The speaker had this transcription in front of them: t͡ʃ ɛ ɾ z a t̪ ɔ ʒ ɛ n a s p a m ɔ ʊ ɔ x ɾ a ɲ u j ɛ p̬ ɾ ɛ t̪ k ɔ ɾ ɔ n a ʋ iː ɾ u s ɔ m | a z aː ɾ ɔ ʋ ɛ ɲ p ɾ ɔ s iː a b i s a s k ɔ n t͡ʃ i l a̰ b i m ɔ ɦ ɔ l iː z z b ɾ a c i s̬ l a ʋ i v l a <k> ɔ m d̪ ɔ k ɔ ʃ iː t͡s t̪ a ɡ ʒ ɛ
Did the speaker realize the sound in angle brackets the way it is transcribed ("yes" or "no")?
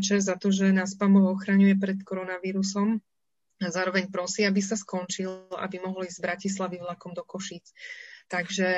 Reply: yes